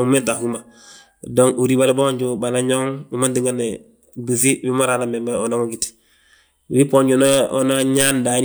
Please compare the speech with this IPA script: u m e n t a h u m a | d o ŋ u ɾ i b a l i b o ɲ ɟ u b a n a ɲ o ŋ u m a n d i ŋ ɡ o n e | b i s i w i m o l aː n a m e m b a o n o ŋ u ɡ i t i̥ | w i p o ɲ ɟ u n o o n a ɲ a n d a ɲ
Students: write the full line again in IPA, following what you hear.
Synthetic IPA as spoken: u m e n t a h u m a | d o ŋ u ɾ i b a l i b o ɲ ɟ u b a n a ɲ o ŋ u m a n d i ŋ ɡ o n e | b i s i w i m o ɾ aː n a m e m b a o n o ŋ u ɡ i t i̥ | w i p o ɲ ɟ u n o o n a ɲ a n d a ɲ